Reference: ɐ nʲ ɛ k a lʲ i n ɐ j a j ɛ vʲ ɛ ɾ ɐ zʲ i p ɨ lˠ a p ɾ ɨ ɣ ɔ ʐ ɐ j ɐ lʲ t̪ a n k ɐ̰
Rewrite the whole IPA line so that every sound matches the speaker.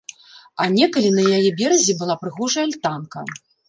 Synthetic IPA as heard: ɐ nʲ ɛ k ɐ lʲ i n ɐ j a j ɛ bʲ ɛ ɾ ɐ zʲ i b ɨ lˠ a p ɾ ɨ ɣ ɔ ʐ ɐ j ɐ lʲ t̪ a n k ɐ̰